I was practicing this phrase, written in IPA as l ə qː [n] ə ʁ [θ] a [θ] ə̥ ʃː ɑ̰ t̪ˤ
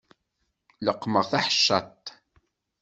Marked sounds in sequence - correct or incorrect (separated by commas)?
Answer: incorrect, correct, incorrect